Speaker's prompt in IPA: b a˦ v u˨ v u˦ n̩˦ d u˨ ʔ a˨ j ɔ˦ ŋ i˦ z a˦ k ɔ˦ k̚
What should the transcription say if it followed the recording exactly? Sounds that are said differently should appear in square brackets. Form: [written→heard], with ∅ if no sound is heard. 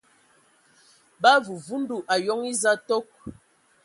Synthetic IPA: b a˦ v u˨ v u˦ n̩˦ d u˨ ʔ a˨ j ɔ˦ ŋ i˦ z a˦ [k→t] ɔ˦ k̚